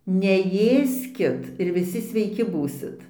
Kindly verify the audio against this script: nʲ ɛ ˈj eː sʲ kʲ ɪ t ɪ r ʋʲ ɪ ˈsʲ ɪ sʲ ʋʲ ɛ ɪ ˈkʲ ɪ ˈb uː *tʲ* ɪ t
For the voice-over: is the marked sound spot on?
no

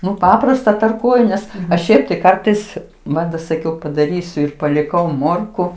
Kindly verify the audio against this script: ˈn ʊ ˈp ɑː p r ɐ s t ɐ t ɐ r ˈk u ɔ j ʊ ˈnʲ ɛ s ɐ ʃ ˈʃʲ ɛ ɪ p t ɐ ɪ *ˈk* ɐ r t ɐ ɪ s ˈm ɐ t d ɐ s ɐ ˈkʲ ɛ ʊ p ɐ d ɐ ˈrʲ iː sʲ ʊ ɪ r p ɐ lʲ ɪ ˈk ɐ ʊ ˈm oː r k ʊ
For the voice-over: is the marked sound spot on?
yes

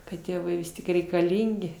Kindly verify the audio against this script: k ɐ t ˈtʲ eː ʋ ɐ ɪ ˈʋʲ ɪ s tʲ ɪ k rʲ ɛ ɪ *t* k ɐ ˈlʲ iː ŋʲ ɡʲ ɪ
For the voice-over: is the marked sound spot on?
no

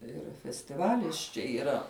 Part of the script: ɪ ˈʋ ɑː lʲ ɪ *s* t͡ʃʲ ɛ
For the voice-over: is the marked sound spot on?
yes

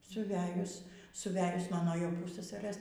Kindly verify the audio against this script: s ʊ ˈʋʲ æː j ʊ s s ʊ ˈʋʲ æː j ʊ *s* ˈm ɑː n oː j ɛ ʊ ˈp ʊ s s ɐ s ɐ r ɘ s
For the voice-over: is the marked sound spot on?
yes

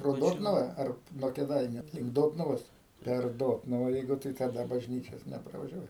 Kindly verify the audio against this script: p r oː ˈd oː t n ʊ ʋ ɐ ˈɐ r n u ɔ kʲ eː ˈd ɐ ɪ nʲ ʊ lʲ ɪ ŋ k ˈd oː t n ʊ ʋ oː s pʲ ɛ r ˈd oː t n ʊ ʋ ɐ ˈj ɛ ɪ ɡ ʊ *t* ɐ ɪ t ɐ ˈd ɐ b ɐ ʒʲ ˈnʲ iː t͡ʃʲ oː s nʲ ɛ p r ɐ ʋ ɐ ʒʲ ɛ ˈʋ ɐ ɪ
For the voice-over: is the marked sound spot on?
yes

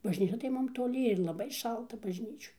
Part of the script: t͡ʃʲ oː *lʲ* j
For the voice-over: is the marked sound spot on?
no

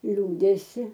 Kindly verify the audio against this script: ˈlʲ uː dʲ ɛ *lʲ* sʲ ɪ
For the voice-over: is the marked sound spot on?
no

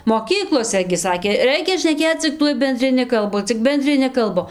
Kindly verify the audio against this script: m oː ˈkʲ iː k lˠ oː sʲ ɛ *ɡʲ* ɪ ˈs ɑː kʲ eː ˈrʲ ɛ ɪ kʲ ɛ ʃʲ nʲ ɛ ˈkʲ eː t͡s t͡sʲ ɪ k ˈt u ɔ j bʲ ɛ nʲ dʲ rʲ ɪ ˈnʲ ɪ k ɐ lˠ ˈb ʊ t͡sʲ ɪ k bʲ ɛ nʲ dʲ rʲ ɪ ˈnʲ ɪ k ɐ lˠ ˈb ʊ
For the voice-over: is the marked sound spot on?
yes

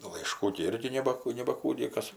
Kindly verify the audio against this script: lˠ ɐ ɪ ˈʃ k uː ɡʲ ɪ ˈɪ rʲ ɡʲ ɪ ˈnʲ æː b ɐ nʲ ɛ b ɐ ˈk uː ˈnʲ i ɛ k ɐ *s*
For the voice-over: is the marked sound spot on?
yes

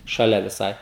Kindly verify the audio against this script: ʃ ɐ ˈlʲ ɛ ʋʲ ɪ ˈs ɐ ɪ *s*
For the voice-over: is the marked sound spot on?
no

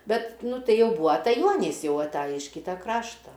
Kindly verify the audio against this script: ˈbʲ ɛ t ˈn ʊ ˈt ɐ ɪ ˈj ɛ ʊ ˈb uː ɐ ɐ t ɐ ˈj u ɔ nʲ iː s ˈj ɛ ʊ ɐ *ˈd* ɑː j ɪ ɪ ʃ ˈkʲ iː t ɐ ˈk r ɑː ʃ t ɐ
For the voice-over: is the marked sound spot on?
no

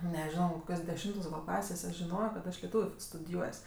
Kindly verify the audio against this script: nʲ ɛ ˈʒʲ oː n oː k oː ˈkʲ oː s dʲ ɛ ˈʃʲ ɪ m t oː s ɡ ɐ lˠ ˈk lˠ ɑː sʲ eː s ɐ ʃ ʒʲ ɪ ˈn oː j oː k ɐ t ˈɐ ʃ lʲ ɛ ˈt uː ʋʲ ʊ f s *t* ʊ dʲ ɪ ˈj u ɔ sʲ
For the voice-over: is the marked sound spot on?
yes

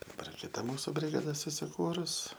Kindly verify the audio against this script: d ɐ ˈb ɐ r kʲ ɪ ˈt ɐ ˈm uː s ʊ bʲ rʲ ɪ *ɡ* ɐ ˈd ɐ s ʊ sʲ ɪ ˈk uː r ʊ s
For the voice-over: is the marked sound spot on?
yes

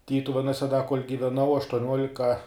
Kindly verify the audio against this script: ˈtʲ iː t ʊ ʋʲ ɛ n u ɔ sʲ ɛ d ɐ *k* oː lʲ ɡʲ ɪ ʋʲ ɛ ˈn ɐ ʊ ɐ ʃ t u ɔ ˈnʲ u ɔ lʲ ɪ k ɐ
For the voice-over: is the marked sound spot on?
yes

